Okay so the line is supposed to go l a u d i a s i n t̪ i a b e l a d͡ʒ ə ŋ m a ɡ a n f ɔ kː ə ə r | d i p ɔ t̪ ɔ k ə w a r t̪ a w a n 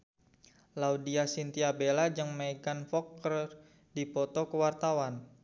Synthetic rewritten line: l a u d i a s i n t̪ i a b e l a d͡ʒ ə ŋ m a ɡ a n f ɔ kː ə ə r | d i p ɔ t̪ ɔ k ə w a r t̪ a w a n